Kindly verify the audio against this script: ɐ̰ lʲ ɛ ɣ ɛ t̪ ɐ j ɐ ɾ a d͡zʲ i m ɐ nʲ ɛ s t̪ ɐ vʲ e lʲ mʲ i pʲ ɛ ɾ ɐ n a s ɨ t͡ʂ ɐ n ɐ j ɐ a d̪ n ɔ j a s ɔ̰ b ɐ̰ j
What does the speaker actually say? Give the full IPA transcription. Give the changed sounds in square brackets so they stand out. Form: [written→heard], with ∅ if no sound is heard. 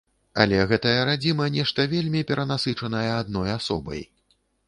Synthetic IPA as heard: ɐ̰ lʲ ɛ ɣ ɛ t̪ ɐ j ɐ ɾ a d͡zʲ i m ɐ nʲ ɛ [s→ʂ] t̪ ɐ vʲ e lʲ mʲ i pʲ ɛ ɾ ɐ n a s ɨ t͡ʂ ɐ n ɐ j ɐ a d̪ n ɔ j a s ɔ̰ b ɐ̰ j